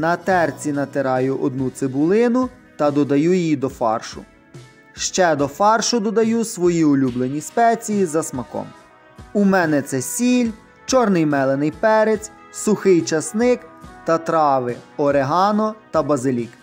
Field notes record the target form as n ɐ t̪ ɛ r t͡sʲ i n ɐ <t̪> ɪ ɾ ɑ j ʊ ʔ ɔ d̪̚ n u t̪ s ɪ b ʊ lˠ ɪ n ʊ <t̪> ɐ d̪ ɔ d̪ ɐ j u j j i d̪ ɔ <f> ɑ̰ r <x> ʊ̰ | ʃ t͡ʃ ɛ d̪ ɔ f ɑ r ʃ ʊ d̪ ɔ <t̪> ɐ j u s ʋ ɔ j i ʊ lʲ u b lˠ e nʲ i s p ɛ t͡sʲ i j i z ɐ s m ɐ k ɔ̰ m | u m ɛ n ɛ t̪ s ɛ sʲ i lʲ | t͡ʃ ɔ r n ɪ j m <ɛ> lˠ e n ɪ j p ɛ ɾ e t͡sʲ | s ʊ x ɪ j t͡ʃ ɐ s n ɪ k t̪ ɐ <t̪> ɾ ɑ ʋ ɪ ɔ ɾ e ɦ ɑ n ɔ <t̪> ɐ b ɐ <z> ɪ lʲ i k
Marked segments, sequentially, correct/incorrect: correct, correct, correct, incorrect, incorrect, correct, correct, correct, correct

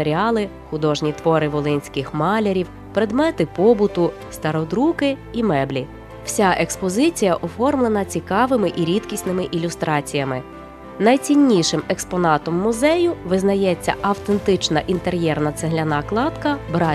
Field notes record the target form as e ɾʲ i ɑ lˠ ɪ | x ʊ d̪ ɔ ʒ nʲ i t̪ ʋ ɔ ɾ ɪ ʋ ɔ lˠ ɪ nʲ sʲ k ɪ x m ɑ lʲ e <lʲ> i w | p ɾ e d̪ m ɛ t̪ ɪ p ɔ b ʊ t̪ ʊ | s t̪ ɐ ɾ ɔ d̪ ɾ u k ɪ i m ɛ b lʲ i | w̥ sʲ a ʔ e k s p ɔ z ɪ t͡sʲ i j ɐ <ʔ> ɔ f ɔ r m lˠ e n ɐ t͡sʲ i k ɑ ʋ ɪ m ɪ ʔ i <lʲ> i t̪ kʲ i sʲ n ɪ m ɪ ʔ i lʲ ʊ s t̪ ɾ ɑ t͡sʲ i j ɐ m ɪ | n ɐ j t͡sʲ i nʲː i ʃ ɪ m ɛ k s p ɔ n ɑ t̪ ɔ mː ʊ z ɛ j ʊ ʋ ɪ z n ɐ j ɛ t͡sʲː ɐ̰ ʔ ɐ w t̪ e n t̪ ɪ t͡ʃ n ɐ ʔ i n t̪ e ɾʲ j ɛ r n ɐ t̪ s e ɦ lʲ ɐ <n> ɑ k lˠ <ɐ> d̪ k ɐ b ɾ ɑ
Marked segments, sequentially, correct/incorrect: incorrect, correct, incorrect, correct, incorrect

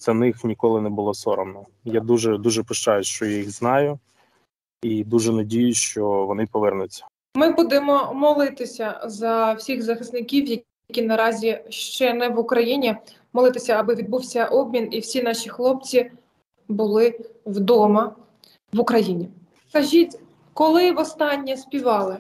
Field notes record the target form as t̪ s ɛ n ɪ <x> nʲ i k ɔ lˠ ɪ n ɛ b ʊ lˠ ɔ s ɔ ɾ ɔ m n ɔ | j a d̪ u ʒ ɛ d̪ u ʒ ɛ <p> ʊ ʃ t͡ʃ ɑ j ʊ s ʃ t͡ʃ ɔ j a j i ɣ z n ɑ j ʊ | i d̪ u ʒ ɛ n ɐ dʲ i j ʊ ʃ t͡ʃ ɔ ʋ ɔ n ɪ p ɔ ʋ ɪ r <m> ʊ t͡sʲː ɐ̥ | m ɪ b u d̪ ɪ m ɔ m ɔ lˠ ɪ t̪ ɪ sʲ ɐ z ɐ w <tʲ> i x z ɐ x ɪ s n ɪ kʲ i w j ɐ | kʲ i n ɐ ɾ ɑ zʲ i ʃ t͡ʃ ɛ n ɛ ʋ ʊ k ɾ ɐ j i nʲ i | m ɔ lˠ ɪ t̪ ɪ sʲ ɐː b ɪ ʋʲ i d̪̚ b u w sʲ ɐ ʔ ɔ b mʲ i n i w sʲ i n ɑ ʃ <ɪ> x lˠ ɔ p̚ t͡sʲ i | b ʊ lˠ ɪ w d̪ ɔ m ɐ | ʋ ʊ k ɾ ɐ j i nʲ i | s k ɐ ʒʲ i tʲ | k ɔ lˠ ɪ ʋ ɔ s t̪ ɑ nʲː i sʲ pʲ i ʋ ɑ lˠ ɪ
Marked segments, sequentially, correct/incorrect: correct, correct, incorrect, incorrect, incorrect

